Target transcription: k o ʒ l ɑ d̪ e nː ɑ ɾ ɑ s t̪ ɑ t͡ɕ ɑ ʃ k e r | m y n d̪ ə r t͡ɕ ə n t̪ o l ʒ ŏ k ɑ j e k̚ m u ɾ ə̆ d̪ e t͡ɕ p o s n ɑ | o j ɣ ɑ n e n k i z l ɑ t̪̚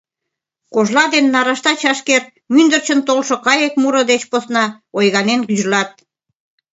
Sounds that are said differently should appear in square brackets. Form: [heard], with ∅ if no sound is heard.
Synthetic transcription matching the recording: k o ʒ l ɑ d̪ e nː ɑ ɾ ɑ [ʃ] t̪ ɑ t͡ɕ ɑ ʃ k e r | m y n d̪ ə r t͡ɕ ə n t̪ o l [ʃ] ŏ k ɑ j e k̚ m u ɾ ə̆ d̪ e t͡ɕ p o s n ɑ | o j ɣ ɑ n e n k [y] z l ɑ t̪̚